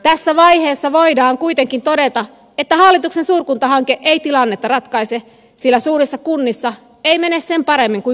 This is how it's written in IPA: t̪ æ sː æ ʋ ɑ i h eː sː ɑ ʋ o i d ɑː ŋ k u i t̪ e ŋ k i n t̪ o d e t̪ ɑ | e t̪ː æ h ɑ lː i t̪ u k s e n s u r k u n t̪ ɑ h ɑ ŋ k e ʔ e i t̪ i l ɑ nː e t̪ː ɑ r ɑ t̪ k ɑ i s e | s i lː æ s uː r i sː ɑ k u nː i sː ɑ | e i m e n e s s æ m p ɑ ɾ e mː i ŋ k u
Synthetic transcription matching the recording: t̪ æ sː æ ʋ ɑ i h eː sː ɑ ʋ o i d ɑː ŋ k u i t̪ e ŋ k i n t̪ o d e t̪ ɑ | e t̪ː æ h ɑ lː i t̪ u k s e n s uː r k u n t̪ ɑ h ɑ ŋ k e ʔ e i t̪ i l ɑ nː e t̪ː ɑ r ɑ t̪ k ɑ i s e | s i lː æ s uː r i sː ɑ k u nː i sː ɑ | e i m e n e s s e m p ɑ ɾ e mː i ŋ k u

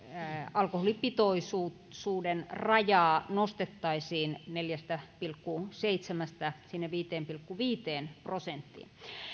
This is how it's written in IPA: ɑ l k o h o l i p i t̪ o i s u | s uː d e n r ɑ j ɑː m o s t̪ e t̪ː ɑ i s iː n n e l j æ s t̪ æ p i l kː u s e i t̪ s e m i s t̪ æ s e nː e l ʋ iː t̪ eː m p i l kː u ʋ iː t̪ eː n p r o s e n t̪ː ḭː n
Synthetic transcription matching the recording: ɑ l k o h o l i p i t̪ o i s u | s uː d e n r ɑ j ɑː n o s t̪ e t̪ː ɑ i s iː n n e l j æ s t̪ æ p i l kː u s e i t̪ s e m æ s t̪ æ s i nː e ʋ iː t̪ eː m p i l kː u ʋ iː t̪ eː n p r o s e n t̪ː ḭː n

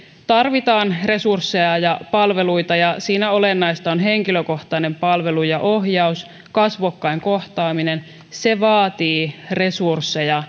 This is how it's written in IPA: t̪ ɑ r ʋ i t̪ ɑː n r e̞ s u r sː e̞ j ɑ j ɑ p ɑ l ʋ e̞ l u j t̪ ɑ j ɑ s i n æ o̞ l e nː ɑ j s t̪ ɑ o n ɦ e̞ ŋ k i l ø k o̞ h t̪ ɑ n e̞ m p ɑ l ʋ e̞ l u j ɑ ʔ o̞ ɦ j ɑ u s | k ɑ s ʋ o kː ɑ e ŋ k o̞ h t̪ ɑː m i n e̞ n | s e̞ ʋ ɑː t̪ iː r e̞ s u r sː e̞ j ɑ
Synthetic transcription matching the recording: t̪ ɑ r ʋ i t̪ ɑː n r e̞ s u r sː e̞ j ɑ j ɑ p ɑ l ʋ e̞ l u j t̪ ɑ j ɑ s iː n æ o̞ l e nː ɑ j s t̪ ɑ o n ɦ e̞ ŋ k i l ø k o̞ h t̪ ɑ n e̞ m p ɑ l ʋ e̞ l u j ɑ ʔ o̞ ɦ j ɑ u s | k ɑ s ʋ o kː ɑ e ŋ k o̞ h t̪ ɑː m i n e̞ n | s e̞ ʋ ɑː t̪ iː r e̞ s u r sː e̞ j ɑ

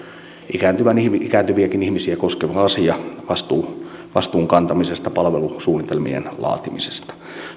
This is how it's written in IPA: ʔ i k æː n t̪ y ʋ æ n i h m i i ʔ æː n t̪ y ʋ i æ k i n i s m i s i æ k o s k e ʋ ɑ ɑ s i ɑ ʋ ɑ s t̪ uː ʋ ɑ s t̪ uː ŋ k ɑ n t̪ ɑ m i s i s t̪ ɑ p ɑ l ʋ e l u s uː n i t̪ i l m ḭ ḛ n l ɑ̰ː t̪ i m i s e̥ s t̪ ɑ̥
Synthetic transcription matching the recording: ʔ i k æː n t̪ y ʋ æ n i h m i i k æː n t̪ y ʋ i æ k i n i h m i s i æ k o s k e ʋ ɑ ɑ s i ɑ ʋ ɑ s t̪ uː ʋ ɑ s t̪ uː ŋ k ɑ n t̪ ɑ m i s e s t̪ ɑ p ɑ l ʋ e l u s uː n i t̪ e l m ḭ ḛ n l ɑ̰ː t̪ i m i s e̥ s t̪ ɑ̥

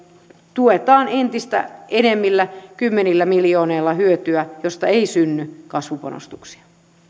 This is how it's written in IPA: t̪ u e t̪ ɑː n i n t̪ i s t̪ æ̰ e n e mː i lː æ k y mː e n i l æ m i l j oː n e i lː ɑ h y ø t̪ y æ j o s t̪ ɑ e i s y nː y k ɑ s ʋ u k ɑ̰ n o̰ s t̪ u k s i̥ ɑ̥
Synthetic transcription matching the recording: t̪ u e t̪ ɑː n e n t̪ i s t̪ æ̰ e n e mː i lː æ k y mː e n i lː æ m i l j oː n e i lː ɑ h y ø t̪ y æ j o s t̪ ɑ e i s y nː y k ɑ s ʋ u p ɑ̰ n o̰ s t̪ u k s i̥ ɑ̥

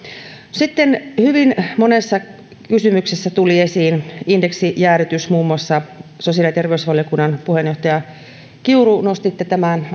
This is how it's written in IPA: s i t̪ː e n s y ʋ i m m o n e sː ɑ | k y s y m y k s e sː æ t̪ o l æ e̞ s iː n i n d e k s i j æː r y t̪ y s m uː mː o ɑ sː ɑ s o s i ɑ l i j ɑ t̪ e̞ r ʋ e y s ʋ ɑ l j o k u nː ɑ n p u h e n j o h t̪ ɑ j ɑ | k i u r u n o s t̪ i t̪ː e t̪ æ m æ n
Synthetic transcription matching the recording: s i t̪ː e n h y ʋ i n m o n e sː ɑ | k y s y m y k s e sː æ t̪ u l i e̞ s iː n i n d e k s i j æː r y t̪ y s m uː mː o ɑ sː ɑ s o s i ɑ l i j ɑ t̪ e̞ r ʋ e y s ʋ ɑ l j o k u nː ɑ n p u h e n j o h t̪ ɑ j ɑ | k i u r u n o s t̪ i t̪ː e t̪ æ m æ n

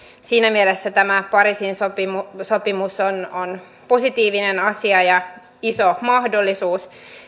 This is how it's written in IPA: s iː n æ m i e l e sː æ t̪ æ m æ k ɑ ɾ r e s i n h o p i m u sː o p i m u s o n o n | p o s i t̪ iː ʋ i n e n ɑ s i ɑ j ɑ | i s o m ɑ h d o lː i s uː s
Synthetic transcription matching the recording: s iː n æ m i e l e sː æ t̪ æ m æ p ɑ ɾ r i s i n s o p i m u s o p i m u s o n o n | p o s i t̪ iː ʋ i n e n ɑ s i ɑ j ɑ | i s o m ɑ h d o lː i s uː s

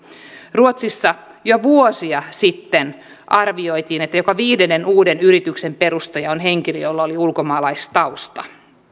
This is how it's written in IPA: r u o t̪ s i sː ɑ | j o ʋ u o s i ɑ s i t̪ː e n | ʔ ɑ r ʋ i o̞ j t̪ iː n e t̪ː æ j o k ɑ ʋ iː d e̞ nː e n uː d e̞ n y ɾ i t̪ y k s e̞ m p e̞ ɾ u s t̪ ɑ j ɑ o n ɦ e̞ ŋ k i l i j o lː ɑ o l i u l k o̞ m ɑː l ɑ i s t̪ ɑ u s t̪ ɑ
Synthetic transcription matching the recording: r u o t̪ s i sː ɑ | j o ʋ u o s i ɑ s i t̪ː e n | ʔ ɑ r ʋ i o̞ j t̪ iː n e t̪ː æ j o k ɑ ʋ iː d e̞ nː e n uː d e̞ n y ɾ i t̪ y k s e̞ m p e̞ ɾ u s t̪ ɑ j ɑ o n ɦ e̞ ŋ k i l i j o lː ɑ o l i u l k o̞ m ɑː l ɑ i s t̪ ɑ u s t̪ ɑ

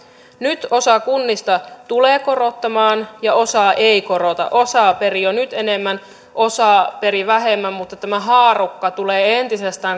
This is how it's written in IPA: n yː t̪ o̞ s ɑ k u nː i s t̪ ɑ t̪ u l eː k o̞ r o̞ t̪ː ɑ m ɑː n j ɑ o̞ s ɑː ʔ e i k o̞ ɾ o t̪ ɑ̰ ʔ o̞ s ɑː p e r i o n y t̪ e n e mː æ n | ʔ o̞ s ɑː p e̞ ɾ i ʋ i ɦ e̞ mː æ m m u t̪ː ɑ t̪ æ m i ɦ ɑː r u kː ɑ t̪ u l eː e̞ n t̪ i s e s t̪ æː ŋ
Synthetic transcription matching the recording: n y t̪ o̞ s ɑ k u nː i s t̪ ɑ t̪ u l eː k o̞ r o̞ t̪ː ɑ m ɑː n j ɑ o̞ s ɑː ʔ e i k o̞ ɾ o t̪ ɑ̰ ʔ o̞ s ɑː p e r i o n y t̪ e n e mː æ n | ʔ o̞ s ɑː p e̞ ɾ i ʋ æ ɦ e̞ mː æ m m u t̪ː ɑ t̪ æ m æ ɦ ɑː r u kː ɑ t̪ u l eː e̞ n t̪ i s e s t̪ æː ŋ

